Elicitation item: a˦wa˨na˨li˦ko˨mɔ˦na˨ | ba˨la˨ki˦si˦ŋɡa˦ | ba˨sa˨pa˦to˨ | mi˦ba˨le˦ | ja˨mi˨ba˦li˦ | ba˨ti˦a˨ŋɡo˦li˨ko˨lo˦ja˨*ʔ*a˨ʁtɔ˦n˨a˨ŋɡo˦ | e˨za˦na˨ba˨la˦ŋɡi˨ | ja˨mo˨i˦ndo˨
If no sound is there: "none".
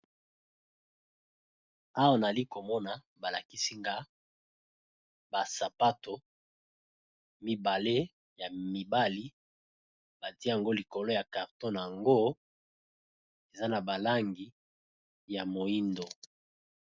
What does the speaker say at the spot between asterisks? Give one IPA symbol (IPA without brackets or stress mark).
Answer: k